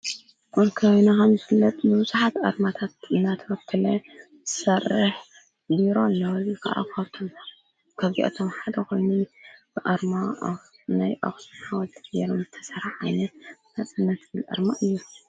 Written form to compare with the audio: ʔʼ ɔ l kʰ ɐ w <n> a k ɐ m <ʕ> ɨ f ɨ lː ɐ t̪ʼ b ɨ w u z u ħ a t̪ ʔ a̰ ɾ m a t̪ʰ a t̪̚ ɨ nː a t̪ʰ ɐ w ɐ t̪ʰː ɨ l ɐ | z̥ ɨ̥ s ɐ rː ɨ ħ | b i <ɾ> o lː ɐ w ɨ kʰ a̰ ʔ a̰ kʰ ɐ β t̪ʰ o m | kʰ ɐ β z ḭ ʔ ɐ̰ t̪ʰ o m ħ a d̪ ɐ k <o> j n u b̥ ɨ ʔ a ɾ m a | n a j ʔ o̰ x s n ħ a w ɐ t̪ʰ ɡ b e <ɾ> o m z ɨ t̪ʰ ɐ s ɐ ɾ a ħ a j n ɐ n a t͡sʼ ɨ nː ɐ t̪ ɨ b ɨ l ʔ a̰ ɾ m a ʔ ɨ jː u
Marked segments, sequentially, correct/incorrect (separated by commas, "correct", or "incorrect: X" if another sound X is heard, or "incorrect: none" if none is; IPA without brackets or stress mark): correct, incorrect: z, correct, correct, correct